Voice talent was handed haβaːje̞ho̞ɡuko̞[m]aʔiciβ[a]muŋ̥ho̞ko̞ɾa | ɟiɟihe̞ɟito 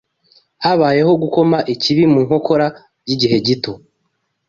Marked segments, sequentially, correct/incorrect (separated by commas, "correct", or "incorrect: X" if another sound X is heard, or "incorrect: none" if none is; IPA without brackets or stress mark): correct, incorrect: i